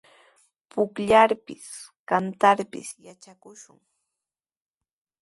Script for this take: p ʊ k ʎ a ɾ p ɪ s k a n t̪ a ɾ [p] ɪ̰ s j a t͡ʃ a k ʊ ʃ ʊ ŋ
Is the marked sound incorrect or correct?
correct